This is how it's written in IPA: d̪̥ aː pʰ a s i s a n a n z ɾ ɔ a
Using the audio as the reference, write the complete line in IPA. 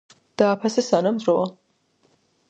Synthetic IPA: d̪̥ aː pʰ a s ɛ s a n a m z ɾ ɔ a